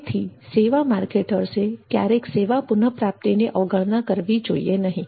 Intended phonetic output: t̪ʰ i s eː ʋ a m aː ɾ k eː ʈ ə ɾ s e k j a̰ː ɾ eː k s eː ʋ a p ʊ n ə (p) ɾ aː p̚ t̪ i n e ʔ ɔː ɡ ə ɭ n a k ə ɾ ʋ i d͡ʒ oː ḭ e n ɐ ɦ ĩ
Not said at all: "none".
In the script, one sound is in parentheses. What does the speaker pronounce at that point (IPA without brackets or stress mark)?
p